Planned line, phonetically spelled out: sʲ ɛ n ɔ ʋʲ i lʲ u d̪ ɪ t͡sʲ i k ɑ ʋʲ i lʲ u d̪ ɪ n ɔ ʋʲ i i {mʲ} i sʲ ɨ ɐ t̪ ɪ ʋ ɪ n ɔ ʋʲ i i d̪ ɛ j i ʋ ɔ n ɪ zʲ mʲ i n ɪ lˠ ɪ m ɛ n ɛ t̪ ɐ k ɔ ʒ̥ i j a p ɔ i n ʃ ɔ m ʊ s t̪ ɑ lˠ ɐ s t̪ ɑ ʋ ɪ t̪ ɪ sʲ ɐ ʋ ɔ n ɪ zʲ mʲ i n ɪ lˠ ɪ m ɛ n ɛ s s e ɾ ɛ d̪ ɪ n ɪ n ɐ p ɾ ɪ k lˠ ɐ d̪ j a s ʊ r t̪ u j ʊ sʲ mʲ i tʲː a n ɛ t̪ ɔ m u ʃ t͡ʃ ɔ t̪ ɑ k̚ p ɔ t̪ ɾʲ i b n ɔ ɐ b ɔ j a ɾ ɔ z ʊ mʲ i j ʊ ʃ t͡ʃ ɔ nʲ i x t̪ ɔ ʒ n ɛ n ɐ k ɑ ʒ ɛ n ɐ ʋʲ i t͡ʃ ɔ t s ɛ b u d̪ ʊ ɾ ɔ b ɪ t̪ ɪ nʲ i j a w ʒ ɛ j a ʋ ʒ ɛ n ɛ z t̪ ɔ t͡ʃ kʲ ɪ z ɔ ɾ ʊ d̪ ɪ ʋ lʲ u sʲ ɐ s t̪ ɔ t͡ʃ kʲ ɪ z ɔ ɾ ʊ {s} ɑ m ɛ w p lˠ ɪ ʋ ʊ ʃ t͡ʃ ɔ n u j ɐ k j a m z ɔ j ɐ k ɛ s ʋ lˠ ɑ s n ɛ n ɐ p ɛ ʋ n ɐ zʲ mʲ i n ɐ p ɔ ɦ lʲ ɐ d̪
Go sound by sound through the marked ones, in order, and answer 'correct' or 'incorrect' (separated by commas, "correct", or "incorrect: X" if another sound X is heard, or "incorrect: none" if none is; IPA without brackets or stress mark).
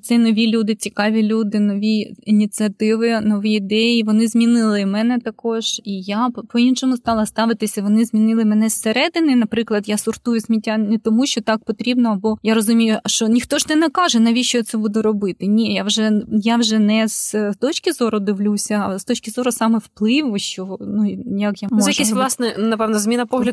incorrect: nʲ, correct